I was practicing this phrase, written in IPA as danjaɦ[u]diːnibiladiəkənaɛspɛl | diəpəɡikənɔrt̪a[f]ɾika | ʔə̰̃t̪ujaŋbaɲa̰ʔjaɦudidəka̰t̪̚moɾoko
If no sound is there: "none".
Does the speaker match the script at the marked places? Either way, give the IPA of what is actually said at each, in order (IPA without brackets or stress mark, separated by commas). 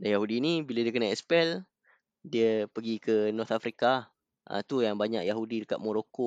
u, f